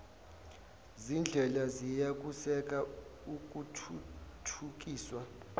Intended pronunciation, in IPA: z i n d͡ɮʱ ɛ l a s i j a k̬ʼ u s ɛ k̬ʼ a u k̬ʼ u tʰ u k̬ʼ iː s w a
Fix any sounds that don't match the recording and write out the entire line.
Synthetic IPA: z i n d͡ɮʱ ɛ l a z i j a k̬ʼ u s ɛ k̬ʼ a u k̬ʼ u tʰ u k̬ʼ iː s w a